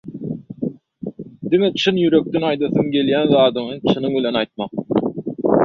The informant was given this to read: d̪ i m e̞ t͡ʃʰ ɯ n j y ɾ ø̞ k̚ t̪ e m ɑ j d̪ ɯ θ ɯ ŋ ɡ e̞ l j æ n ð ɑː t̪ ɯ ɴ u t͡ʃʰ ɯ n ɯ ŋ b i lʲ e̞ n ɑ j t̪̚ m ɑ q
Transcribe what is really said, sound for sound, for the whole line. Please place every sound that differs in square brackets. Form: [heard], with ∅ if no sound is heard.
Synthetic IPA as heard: d̪ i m e̞ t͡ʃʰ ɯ n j y ɾ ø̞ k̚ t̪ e [n] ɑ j d̪ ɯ θ ɯ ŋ ɡ e̞ l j æ n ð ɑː [d̪] ɯ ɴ [ɯ] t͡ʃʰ ɯ n ɯ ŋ b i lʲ e̞ n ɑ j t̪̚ m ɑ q